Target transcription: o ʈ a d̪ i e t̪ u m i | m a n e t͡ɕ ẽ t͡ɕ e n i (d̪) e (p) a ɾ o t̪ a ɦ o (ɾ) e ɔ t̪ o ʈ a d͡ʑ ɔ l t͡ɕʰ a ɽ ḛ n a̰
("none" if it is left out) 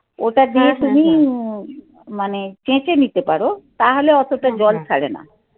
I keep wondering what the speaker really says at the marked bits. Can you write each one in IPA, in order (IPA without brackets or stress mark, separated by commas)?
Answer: t̪, p, l